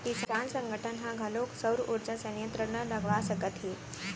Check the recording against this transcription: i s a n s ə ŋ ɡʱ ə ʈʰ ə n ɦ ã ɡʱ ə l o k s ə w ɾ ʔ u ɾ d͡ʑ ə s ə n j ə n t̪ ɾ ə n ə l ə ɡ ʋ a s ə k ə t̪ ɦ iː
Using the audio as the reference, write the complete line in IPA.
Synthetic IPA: i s a n s ə ŋ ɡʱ ə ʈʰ ə n ɦ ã ɡʱ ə l o k s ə w ɾ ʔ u ɾ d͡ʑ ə s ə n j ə n t̪ ɾ ə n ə l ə ɡ ʋ a s ə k ə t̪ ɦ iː